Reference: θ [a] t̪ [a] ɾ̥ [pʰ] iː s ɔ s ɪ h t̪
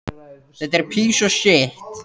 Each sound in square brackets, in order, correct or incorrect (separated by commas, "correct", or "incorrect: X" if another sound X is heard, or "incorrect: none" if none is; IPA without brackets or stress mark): incorrect: ɛ, incorrect: ɛ, correct